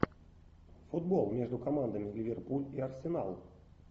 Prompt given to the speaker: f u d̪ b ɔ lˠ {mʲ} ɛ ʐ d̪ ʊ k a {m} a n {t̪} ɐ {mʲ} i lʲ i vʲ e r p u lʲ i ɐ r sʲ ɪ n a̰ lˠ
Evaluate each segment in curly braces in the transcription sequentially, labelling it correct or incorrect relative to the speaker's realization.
correct, correct, incorrect: d̪, correct

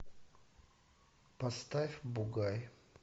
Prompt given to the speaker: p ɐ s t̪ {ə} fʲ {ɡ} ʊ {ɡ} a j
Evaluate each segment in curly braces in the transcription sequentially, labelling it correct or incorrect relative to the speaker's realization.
incorrect: a, incorrect: b, correct

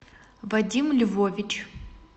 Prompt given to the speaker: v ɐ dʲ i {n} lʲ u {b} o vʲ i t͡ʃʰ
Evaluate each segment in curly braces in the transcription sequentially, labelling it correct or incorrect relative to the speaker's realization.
incorrect: m, incorrect: v

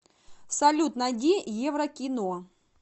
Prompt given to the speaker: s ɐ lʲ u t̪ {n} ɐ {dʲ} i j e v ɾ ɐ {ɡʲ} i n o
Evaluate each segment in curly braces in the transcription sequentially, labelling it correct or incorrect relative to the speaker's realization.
correct, correct, incorrect: kʲ

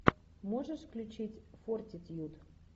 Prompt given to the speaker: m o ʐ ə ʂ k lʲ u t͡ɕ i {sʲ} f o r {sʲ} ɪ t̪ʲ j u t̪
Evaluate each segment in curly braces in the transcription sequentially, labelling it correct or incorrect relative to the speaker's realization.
incorrect: tʲ, incorrect: tʲ

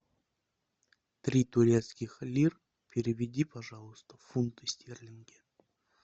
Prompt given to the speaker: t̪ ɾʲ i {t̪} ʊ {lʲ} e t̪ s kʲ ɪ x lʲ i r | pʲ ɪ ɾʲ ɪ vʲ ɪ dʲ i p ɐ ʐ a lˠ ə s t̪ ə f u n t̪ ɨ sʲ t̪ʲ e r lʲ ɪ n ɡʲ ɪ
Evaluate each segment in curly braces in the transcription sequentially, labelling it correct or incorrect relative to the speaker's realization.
correct, incorrect: ɾʲ

